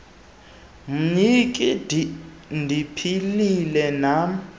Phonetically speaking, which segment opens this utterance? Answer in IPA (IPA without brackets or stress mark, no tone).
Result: m̩